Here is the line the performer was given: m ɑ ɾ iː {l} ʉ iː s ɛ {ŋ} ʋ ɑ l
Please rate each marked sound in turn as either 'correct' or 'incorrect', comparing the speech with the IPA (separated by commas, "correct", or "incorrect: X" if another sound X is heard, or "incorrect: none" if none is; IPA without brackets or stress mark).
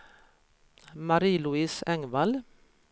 correct, correct